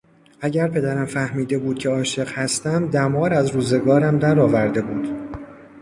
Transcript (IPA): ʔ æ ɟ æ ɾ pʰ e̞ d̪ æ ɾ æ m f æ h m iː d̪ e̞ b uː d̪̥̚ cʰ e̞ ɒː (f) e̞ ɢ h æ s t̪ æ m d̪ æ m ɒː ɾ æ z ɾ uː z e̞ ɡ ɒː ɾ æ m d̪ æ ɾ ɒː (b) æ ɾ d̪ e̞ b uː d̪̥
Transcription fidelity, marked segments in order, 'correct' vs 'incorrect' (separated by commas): incorrect, incorrect